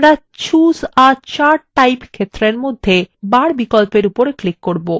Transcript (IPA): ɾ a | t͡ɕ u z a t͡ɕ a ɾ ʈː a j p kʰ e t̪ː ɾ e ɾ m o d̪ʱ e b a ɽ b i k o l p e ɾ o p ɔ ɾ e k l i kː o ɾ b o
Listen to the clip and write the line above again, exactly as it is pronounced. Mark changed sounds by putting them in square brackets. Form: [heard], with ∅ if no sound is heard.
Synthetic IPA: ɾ a | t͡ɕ u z a t͡ɕ a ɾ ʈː a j p kʰ e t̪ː ɾ e ɾ m o [d̪ʱː] e b a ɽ b i k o l p e ɾ [u] p [o] ɾ e k l i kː o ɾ b o